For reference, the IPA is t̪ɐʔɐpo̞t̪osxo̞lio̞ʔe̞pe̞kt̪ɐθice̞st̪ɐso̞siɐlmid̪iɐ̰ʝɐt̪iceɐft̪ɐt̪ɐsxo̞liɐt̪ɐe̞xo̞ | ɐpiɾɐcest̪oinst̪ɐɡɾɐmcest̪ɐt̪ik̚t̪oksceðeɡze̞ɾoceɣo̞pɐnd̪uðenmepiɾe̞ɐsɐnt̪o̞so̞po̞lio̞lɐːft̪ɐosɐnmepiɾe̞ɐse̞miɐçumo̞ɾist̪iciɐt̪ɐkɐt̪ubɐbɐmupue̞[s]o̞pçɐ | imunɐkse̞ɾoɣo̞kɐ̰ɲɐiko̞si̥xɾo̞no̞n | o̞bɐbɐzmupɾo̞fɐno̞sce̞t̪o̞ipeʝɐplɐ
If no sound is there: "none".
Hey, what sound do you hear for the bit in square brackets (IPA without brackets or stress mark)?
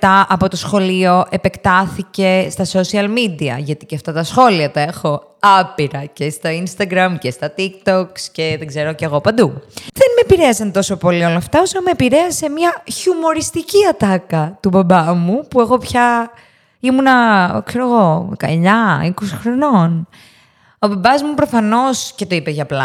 x